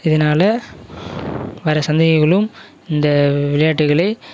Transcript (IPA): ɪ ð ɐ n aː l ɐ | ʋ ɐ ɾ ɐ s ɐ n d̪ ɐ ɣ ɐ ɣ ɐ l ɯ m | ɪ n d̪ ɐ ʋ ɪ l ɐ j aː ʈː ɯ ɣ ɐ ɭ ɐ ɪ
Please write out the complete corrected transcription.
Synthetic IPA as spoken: ɪ ð ɐ n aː l ɐ | ʋ ɐ ɾ ɐ s ɐ n d̪ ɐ ɣ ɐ ɣ ɐ ɭ ɯ m | ɪ n d̪ ɐ ʋ ɪ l ɐ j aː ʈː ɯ ɣ ɐ ɭ ɐ ɪ